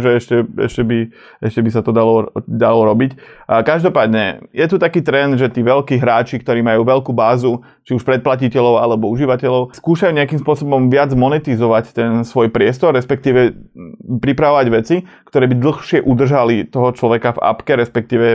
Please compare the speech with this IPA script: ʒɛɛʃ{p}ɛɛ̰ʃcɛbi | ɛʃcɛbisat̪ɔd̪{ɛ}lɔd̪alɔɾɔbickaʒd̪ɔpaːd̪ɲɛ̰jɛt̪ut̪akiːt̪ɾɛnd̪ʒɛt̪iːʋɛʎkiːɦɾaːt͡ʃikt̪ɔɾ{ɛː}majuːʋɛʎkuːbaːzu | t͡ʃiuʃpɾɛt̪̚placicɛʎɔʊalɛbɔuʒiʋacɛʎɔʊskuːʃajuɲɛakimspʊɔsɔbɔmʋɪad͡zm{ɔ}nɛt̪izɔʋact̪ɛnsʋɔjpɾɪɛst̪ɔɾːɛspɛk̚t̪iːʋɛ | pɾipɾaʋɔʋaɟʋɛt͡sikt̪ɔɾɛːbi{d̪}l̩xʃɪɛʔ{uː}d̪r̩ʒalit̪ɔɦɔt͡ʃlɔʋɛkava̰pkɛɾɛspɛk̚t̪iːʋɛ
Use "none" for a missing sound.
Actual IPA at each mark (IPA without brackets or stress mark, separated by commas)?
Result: c, a, iː, ɔ, d̪, u